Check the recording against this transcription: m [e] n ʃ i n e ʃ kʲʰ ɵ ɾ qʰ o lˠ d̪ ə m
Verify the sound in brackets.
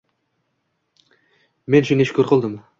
correct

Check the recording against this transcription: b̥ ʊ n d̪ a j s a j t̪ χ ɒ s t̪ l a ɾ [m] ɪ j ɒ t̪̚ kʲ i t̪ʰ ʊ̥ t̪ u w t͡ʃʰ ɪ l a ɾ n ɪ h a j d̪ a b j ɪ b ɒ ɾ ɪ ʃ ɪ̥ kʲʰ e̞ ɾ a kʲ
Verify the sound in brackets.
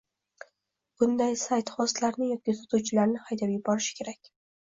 incorrect: n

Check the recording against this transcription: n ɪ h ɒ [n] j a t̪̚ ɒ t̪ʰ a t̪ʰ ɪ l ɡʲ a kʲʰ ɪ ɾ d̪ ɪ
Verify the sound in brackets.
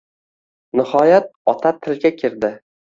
incorrect: none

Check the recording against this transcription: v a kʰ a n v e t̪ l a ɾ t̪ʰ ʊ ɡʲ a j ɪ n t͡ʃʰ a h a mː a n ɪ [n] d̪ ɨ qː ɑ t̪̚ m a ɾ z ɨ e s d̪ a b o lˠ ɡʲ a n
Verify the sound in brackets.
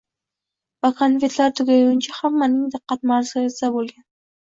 incorrect: ŋ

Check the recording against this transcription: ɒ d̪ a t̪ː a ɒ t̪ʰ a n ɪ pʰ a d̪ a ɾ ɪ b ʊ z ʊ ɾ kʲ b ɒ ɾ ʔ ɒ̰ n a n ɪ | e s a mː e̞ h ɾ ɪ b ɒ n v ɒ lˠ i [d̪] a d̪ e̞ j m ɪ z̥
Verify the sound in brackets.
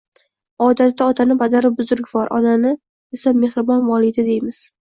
correct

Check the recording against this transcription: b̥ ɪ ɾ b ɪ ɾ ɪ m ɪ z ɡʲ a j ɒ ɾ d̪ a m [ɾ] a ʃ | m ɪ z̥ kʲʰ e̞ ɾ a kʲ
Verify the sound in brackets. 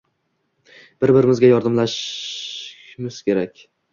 incorrect: l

